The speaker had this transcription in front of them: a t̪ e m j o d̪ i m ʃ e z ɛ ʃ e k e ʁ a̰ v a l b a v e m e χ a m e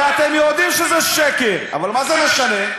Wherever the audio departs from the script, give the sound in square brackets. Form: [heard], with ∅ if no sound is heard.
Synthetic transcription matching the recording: a t̪ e m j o d̪ i m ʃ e z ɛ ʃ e k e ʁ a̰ v a l [m] a [z] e m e [ʃ] a [n] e